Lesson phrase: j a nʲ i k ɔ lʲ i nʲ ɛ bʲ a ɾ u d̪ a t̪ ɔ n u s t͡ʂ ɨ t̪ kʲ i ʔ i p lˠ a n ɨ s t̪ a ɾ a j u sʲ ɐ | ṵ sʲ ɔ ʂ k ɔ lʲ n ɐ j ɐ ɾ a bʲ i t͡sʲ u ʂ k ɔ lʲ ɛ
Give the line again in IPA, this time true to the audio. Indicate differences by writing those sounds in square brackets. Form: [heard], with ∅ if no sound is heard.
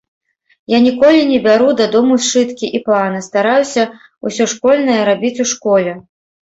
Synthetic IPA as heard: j a nʲ i k ɔ lʲ i nʲ ɛ bʲ a ɾ u d̪ a [d̪] ɔ [m] u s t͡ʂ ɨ t̪ kʲ i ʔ i p lˠ a n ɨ s t̪ a ɾ a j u sʲ ɐ | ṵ sʲ ɔ ʂ k ɔ lʲ n ɐ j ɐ ɾ a bʲ i t͡sʲ u ʂ k ɔ lʲ ɛ